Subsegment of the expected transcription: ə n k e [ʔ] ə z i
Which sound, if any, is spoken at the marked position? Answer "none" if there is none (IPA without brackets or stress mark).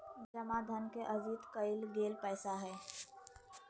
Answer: ʔ